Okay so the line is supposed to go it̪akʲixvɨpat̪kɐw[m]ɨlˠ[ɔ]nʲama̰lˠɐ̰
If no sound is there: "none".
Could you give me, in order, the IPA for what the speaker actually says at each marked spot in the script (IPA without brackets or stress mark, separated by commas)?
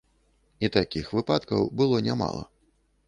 b, ɔ